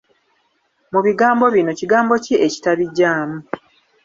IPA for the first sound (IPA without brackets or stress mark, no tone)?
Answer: m